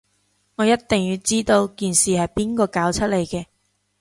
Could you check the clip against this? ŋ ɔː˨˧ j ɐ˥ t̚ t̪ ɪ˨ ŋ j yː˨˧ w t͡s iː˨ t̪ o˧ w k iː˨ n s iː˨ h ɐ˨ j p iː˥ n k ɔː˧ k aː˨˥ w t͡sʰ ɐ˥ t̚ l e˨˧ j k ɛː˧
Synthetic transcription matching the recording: ŋ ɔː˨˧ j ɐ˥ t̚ t̪ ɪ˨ ŋ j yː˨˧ w t͡s iː˥ t̪ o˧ w k iː˨ n s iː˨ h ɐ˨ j p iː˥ n k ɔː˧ k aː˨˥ w t͡sʰ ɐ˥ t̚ l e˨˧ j k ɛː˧